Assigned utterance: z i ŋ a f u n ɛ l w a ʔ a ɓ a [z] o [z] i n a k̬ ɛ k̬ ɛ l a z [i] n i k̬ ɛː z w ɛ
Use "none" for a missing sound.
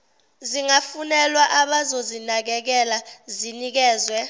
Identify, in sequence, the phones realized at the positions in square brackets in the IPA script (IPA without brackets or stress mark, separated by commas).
z, z, i